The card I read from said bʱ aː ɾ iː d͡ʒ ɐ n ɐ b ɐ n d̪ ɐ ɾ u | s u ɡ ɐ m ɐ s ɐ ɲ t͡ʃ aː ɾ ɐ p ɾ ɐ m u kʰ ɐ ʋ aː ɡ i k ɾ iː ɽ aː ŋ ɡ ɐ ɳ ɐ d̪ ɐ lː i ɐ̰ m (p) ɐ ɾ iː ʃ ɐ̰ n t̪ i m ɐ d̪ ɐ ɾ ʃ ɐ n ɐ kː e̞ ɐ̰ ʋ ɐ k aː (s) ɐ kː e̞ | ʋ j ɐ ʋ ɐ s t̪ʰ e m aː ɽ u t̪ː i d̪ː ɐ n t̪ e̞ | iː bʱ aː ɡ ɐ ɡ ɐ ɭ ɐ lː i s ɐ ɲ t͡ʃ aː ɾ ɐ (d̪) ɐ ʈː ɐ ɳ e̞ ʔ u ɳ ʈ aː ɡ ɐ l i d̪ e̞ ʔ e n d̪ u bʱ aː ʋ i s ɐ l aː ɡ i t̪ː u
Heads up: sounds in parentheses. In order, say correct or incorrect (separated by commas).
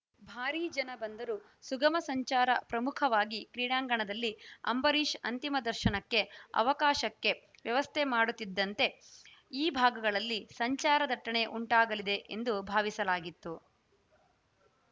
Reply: incorrect, incorrect, correct